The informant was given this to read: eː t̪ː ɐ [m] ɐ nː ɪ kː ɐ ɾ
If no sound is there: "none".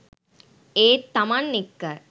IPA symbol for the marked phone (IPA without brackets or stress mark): m